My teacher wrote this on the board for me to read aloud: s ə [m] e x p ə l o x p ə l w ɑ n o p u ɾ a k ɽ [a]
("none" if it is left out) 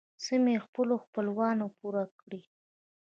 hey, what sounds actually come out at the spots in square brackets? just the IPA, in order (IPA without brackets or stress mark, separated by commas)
m, i